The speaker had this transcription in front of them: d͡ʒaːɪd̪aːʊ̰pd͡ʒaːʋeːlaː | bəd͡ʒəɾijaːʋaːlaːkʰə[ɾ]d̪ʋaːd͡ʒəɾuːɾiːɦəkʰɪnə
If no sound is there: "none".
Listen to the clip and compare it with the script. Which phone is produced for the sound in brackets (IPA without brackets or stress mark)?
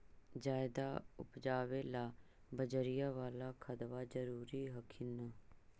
none